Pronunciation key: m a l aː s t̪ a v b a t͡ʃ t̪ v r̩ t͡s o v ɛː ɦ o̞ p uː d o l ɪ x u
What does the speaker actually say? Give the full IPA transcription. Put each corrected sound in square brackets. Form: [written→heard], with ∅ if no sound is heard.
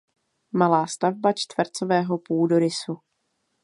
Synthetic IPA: m a l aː s t̪ a v b a t͡ʃ t̪ v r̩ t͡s o v ɛː ɦ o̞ p uː d o [l→ɾ] ɪ [x→s] u